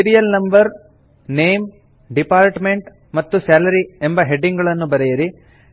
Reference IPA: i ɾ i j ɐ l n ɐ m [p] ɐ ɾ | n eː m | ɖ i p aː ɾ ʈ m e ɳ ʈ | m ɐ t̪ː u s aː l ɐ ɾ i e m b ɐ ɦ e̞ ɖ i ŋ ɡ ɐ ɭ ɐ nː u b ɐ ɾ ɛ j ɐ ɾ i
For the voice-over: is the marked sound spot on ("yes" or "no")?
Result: no